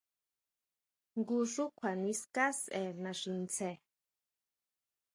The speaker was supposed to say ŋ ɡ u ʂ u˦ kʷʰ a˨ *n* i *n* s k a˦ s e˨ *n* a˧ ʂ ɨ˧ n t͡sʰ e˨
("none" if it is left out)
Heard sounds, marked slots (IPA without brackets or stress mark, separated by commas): n, none, n